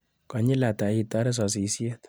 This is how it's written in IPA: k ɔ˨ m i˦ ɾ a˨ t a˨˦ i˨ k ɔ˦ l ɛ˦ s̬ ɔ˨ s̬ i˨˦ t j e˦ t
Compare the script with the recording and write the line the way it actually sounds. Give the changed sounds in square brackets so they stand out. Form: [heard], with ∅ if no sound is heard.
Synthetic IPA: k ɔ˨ [ɲ] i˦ [l] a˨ t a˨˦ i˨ [t] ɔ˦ [ɾ] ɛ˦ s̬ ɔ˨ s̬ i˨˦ [s] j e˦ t